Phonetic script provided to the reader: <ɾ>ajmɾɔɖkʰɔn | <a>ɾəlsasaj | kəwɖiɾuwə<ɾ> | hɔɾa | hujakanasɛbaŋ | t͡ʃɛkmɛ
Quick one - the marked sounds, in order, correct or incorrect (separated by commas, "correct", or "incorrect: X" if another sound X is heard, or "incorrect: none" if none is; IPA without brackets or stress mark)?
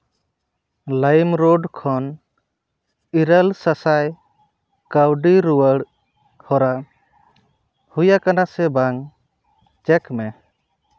incorrect: l, incorrect: i, incorrect: ɽ